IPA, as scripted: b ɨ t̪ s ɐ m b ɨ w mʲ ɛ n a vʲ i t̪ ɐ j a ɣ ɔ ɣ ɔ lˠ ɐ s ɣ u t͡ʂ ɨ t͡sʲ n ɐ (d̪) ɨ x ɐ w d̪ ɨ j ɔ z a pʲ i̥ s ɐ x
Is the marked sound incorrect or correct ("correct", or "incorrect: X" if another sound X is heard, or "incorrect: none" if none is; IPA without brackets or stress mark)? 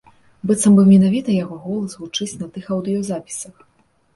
incorrect: t̪